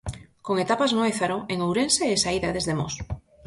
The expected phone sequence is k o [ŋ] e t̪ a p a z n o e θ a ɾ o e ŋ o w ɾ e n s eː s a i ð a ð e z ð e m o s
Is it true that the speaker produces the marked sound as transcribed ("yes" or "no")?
yes